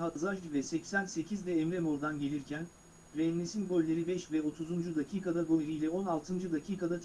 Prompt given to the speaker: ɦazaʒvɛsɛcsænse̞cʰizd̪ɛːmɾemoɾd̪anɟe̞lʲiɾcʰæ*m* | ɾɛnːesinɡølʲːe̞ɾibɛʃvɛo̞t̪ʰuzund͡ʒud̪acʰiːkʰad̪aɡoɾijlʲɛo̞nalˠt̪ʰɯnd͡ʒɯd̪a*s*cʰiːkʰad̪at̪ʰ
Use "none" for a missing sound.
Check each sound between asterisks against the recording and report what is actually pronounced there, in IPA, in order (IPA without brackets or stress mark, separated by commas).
n, none